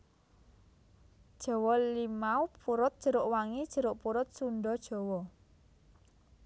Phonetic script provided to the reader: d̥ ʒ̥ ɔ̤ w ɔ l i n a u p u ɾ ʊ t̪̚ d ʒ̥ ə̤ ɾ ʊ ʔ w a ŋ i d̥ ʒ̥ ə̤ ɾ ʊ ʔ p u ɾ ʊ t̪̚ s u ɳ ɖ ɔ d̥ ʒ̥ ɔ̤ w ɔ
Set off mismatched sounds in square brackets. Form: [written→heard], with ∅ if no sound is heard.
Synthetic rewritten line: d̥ ʒ̥ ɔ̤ w ɔ l i [n→m] a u p u ɾ ʊ t̪̚ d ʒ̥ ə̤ ɾ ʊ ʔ w a ŋ i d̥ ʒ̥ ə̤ ɾ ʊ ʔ p u ɾ ʊ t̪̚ s u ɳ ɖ ɔ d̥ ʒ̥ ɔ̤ w ɔ